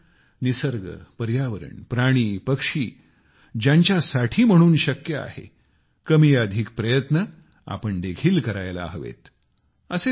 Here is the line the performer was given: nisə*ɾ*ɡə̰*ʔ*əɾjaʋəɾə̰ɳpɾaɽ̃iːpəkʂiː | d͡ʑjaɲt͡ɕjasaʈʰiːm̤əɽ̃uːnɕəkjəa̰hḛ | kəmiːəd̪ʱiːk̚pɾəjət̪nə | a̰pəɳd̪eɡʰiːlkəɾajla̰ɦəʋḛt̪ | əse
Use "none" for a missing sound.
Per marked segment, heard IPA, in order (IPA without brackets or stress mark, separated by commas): ɾ, p